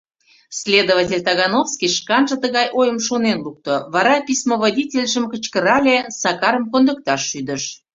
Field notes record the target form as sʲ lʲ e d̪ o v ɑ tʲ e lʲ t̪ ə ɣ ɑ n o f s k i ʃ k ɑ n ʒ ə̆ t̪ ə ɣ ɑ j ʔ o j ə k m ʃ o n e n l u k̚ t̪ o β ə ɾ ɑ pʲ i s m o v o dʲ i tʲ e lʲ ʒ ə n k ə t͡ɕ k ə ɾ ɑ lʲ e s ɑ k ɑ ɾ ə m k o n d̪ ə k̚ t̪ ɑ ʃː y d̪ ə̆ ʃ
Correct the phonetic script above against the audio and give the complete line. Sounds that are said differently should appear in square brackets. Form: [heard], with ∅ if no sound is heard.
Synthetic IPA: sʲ lʲ e d̪ o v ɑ tʲ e lʲ t̪ [ɑ] ɣ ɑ n o f s k i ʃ k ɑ n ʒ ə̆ t̪ ə ɣ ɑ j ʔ o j ə [∅] m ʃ o n e n l u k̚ t̪ o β [ɑ] ɾ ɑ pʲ i s m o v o dʲ i tʲ e lʲ ʒ ə [m] k ə t͡ɕ k ə ɾ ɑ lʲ e s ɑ k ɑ ɾ ə m k o n d̪ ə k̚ t̪ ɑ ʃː y d̪ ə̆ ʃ